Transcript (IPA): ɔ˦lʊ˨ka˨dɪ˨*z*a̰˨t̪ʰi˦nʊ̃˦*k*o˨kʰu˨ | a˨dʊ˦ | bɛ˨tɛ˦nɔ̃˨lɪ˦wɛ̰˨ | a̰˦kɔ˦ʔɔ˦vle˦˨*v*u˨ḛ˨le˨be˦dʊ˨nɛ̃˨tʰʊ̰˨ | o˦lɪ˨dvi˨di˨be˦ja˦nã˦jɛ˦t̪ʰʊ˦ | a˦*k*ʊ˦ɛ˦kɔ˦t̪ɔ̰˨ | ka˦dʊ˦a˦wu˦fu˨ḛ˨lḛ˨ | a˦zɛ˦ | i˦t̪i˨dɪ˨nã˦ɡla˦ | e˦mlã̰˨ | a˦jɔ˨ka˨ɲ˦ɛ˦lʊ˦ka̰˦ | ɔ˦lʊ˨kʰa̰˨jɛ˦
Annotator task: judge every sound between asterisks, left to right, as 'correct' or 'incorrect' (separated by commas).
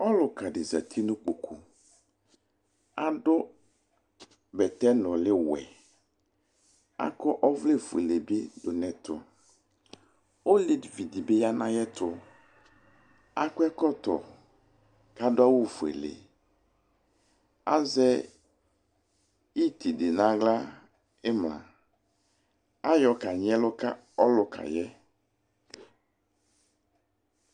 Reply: correct, incorrect, incorrect, correct